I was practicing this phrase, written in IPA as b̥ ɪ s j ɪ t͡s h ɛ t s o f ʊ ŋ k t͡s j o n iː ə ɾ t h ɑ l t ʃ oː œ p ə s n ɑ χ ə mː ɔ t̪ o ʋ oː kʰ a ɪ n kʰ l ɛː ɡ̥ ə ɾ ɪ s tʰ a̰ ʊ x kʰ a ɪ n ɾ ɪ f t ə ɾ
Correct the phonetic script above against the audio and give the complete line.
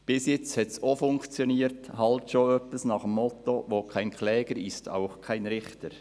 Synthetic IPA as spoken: b̥ ɪ s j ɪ t͡s h ɛ t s o f ʊ ŋ k t͡s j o n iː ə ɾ t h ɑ l t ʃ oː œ p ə s n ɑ χ ə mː ɔ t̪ o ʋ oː kʰ a ɪ n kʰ l ɛː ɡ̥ ə ɾ ɪ s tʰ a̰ ʊ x kʰ a ɪ n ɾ ɪ χ t ə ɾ